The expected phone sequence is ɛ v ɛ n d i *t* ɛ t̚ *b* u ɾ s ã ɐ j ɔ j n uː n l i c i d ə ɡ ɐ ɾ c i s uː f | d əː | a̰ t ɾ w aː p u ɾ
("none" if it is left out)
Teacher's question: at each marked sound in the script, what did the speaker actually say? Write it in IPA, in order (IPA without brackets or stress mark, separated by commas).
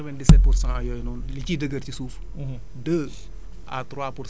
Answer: s, p